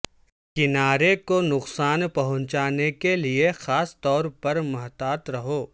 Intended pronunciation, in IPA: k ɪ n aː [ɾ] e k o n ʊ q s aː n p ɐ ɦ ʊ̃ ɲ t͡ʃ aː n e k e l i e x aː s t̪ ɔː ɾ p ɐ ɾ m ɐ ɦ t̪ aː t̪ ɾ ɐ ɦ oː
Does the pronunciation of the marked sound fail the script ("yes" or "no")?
no